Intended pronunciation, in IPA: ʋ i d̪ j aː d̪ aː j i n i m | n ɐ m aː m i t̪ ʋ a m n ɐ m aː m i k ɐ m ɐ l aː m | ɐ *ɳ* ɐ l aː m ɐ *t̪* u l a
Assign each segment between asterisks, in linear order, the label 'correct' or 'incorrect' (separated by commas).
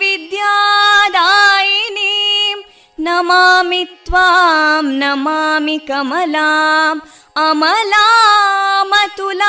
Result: incorrect, correct